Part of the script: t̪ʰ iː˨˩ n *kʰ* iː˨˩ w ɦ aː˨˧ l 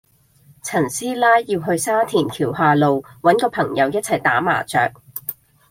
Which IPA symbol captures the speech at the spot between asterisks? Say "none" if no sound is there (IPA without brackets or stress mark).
kʰ